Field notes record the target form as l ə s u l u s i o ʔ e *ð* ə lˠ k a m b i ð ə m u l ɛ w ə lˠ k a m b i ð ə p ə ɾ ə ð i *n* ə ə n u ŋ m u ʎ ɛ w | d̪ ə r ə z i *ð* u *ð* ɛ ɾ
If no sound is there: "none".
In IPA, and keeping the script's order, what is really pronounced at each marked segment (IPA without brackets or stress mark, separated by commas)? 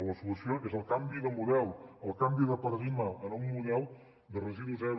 z, m, ð, z